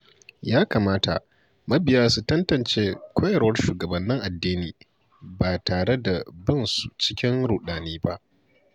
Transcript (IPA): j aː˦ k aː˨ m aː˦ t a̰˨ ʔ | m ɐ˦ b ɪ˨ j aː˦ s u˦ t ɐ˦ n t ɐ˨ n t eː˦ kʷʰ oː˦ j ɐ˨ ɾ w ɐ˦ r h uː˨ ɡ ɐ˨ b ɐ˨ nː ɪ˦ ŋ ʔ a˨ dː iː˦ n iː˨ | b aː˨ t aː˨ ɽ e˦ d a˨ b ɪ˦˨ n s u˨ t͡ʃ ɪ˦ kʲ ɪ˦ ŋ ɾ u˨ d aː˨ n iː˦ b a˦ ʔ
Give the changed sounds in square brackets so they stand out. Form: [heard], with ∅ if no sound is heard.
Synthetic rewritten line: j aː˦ k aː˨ m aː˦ t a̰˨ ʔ | m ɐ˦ b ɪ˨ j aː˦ s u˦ t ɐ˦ n t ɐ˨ n [t͡ʃ] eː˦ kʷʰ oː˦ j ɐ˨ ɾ w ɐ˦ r [ʃ] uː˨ ɡ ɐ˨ b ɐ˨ nː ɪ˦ ŋ ʔ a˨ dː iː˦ n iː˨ | b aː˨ t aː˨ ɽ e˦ d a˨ b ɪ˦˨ n s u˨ t͡ʃ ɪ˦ kʲ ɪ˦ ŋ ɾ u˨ [ɗ] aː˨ n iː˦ b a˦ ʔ

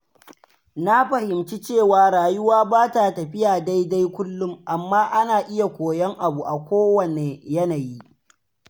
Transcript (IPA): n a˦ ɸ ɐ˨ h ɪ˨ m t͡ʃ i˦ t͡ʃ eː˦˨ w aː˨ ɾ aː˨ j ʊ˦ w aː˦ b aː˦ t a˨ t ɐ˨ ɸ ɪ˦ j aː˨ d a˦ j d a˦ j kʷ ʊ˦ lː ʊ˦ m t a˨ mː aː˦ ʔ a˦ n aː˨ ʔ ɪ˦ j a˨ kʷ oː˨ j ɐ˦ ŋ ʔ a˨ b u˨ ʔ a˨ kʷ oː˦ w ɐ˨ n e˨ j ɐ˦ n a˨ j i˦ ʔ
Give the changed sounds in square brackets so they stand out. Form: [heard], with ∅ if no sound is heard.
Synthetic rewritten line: n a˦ ɸ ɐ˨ h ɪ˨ m t͡ʃ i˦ t͡ʃ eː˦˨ w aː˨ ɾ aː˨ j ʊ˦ w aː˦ b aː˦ t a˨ t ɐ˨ ɸ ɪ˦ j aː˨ d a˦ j d a˦ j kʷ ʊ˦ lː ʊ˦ m [ʔ] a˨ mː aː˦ ʔ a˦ n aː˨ ʔ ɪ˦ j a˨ kʷ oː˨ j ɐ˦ ŋ ʔ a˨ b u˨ ʔ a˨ kʷ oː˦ w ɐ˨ n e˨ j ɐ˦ n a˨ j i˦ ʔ

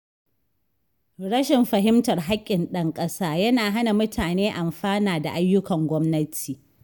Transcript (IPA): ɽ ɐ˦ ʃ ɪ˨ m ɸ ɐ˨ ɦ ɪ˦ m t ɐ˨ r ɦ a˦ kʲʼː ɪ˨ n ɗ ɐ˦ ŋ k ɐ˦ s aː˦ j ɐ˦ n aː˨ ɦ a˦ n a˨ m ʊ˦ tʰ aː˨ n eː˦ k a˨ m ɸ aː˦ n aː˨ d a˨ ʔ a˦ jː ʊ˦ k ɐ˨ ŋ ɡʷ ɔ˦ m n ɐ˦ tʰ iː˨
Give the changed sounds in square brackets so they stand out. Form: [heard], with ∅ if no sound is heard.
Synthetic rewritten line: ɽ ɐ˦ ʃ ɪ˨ m ɸ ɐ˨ ɦ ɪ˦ m t ɐ˨ r ɦ a˦ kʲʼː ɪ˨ n ɗ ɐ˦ ŋ [kʼ] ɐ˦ s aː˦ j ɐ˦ n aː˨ ɦ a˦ n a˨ m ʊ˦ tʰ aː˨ n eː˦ [ʔ] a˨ m ɸ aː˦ n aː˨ d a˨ ʔ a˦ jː ʊ˦ k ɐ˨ ŋ ɡʷ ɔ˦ m n ɐ˦ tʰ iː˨

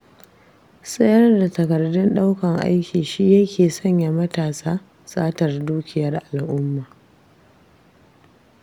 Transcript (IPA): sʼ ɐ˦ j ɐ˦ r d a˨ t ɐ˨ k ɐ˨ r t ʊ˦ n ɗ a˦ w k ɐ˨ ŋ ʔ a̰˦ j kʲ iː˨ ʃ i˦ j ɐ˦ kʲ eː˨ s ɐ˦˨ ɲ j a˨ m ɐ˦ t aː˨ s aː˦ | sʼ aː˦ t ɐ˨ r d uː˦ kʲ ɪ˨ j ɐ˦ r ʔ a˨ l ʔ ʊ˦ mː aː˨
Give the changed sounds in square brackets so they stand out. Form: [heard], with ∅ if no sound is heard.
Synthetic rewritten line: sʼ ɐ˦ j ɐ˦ r d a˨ t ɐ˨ k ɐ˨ r [d] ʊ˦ n ɗ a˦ w k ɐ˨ ŋ ʔ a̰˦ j kʲ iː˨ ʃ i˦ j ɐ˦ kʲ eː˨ s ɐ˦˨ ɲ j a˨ m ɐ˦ t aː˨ s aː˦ | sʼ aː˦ t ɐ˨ r d uː˦ kʲ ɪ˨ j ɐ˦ r ʔ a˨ l ʔ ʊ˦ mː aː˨

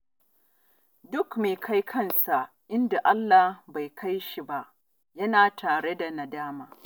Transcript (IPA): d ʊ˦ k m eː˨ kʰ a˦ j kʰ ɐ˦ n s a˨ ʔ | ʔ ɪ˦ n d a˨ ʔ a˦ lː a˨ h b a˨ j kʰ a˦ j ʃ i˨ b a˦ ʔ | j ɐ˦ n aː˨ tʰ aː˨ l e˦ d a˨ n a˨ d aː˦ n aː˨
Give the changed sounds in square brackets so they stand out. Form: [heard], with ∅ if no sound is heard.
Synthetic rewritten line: d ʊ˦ k m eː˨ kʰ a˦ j kʰ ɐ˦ n s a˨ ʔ | ʔ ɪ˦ n d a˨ ʔ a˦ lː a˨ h b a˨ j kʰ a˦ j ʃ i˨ b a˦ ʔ | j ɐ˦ n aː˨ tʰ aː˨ [ɽ] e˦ d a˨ n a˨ d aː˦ [m] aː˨

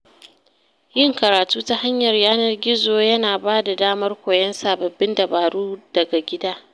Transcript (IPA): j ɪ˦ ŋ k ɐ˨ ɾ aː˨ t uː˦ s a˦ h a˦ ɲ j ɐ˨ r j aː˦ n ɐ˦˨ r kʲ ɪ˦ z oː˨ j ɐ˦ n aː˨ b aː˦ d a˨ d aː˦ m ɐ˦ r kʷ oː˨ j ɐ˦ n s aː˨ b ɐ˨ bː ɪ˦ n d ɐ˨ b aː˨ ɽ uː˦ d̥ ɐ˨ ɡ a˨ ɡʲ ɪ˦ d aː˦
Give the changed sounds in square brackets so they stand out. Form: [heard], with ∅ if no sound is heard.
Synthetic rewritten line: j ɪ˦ ŋ k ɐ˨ ɾ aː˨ t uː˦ [t] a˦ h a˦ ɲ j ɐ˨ r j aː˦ n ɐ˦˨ r [ɡʲ] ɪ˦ z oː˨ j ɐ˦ n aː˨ b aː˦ d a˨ d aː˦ m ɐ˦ r kʷ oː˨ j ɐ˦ n s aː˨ b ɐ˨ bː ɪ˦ n d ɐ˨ b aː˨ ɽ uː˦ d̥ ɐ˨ ɡ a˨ ɡʲ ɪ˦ d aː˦

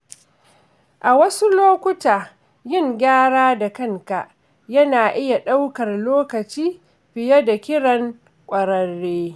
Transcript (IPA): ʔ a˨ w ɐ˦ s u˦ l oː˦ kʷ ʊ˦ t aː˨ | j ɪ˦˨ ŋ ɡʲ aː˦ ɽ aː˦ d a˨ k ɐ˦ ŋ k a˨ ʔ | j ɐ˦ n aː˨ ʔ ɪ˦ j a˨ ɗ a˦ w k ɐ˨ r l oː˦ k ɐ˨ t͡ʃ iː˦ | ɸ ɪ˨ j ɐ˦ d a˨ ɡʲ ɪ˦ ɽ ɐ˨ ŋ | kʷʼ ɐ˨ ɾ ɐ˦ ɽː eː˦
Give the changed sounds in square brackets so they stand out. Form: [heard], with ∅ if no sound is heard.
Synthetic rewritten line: ʔ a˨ w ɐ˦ s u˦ l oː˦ kʷ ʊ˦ t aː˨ | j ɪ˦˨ ŋ ɡʲ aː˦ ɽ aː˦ d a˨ k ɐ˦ ŋ k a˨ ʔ | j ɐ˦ n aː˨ ʔ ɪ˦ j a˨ ɗ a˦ w k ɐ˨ r l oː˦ k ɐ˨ t͡ʃ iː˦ | ɸ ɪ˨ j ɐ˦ d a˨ [kʲ] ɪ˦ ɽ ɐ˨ ŋ | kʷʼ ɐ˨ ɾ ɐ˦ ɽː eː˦

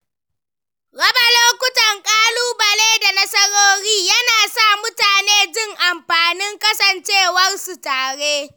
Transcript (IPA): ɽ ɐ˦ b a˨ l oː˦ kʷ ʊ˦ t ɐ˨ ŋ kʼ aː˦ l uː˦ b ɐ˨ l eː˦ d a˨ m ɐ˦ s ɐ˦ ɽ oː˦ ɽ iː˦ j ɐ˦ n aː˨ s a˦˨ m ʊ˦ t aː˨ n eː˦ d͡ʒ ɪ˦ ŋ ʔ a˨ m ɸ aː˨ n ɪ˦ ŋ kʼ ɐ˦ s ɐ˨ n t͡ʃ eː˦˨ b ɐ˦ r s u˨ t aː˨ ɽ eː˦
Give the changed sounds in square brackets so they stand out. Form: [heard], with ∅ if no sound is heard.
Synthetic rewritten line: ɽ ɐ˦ b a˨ l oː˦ kʷ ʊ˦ t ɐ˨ ŋ kʼ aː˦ l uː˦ b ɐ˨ l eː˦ d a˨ [n] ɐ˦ s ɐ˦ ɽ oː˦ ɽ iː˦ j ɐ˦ n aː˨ s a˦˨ m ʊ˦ t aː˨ n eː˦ d͡ʒ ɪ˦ ŋ ʔ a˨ m ɸ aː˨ n ɪ˦ ŋ kʼ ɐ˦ s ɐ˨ n t͡ʃ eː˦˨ [w] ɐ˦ r s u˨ t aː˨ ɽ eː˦

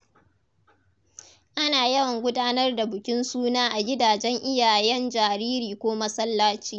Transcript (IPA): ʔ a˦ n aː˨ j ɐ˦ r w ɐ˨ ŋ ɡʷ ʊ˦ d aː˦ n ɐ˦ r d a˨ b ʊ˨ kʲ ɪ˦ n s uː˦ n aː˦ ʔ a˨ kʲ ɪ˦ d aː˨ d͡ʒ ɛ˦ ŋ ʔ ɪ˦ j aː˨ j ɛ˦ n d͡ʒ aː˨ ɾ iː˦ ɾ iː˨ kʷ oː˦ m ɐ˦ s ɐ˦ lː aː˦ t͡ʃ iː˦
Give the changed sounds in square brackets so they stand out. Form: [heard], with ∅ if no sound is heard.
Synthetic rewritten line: ʔ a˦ n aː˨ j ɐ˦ [∅] w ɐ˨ ŋ ɡʷ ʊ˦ d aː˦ n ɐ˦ r d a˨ b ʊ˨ kʲ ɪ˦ n s uː˦ n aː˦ ʔ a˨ [ɡʲ] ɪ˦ d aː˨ d͡ʒ ɛ˦ ŋ ʔ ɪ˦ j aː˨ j ɛ˦ n d͡ʒ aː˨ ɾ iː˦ ɾ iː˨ kʷ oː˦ m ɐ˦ s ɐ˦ lː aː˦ t͡ʃ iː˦

